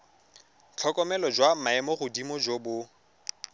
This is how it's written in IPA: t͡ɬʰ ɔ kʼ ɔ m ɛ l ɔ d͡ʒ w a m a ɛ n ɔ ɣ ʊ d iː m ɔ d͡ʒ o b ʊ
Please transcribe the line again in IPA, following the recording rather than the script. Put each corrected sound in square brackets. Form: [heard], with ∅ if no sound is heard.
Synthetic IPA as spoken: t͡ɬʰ ɔ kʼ ɔ m ɛ l ɔ d͡ʒ w a m a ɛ [m] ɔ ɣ ʊ d [i] m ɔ d͡ʒ o b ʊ